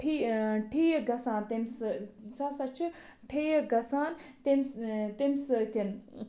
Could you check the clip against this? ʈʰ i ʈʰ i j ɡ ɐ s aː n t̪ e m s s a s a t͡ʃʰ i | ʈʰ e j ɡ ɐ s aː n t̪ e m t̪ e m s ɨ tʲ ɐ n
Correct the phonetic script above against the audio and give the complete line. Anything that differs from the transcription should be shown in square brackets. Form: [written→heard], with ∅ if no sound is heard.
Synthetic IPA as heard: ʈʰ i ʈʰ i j ɡ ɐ s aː n t̪ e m s s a s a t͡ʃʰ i | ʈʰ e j ɡ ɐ s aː n t̪ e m t̪ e m s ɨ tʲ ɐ n